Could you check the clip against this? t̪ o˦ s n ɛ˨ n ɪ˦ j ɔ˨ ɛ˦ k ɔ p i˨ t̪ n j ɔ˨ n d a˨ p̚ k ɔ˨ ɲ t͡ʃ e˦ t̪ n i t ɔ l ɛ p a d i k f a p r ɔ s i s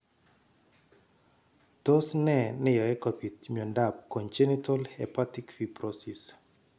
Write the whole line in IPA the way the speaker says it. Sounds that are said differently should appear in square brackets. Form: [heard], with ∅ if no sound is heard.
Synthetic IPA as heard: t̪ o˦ s n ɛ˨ n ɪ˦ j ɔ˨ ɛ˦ k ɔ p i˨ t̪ [m] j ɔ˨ n d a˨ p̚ k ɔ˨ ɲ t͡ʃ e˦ [∅] n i t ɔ l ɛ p a [t] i k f [i] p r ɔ s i s